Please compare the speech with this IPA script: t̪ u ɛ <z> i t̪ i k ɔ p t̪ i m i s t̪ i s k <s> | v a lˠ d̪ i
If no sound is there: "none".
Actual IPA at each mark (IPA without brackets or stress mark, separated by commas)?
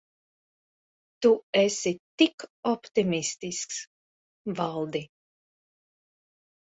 s, s